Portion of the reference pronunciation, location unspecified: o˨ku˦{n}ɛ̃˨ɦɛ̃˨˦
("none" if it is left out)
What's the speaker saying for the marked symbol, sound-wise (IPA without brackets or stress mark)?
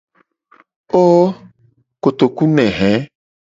n